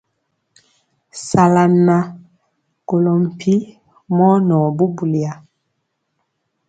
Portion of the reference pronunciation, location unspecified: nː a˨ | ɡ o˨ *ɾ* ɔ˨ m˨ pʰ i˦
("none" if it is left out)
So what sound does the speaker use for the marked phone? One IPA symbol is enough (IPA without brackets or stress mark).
l